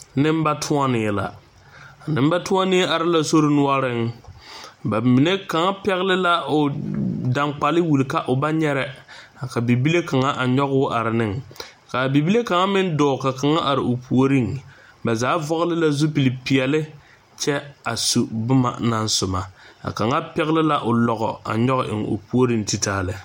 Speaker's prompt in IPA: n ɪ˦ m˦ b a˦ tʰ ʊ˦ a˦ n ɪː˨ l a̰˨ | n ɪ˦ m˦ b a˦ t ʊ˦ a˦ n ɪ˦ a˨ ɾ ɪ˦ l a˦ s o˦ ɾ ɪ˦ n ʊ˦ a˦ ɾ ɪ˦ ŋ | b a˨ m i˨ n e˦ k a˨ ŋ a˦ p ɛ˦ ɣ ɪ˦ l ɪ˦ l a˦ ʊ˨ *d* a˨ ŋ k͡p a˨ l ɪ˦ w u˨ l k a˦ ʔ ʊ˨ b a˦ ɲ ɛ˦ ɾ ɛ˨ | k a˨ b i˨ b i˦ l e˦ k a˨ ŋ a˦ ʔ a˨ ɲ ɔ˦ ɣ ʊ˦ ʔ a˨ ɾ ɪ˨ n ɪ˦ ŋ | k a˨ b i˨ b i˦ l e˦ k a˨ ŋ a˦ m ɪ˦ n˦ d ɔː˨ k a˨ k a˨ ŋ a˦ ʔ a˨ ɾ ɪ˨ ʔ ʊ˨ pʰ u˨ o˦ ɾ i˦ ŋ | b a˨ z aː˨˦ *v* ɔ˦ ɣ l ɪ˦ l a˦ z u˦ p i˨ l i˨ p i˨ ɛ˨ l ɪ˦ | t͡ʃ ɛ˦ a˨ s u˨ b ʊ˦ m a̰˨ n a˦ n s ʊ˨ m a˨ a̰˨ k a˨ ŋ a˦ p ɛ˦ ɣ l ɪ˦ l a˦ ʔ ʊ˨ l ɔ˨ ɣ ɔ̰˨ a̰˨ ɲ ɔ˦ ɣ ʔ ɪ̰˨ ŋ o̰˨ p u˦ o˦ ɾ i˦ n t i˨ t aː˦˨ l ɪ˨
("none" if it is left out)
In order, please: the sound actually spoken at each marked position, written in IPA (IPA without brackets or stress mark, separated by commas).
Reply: d, v